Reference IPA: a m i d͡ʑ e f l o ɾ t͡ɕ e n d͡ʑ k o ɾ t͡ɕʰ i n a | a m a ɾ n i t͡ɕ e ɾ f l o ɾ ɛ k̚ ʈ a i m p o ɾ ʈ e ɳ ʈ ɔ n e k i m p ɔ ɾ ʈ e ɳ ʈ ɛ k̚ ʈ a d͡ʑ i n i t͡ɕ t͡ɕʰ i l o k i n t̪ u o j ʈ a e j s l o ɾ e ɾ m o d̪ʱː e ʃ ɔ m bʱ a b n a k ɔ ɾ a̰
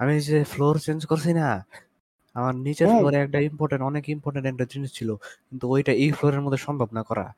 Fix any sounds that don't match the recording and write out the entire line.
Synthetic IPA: a m i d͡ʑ e f l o ɾ t͡ɕ e n d͡ʑ k o ɾ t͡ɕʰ i n a | a m a ɾ n i t͡ɕ e ɾ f l o ɾ ɛ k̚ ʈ a i m p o ɾ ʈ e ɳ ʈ ɔ n e k i m p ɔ ɾ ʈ e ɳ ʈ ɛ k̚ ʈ a d͡ʑ i n i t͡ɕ t͡ɕʰ i l o k i n t̪ u o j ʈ a e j f l o ɾ e ɾ m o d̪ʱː e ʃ ɔ m bʱ a b n a k ɔ ɾ a̰